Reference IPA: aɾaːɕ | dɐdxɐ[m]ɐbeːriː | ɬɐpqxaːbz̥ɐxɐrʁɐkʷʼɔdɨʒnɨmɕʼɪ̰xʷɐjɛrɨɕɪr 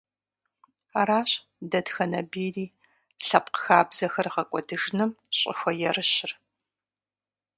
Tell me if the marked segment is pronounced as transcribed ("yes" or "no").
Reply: no